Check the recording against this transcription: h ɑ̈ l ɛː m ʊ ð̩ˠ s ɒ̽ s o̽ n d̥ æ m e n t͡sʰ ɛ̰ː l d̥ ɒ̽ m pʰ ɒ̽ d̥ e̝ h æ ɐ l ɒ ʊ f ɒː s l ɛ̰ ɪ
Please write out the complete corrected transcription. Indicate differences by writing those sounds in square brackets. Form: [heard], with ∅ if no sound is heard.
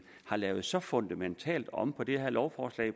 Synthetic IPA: h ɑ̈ l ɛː [∅] ʊ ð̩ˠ s ɒ̽ [f] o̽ n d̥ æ m e n t͡sʰ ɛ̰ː l d̥ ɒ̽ m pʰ ɒ̽ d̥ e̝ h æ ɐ l ɒ ʊ f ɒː s l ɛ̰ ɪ